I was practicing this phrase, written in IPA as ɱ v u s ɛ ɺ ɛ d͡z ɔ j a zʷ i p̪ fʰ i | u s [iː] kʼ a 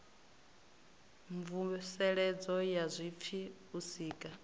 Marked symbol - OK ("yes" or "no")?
yes